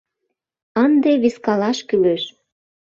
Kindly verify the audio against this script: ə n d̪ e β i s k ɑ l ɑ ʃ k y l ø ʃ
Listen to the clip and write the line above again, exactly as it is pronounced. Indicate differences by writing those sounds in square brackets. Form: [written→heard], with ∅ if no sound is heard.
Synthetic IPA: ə n d̪ e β i s k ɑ l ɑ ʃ k y l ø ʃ